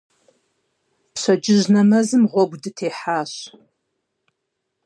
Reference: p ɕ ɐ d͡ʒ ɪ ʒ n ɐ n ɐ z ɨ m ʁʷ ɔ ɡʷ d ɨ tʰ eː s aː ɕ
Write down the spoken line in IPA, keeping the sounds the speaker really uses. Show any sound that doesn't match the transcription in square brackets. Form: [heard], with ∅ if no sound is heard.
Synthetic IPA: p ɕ ɐ d͡ʒ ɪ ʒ n ɐ [m] ɐ z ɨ m ʁʷ ɔ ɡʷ d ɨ tʰ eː [ħ] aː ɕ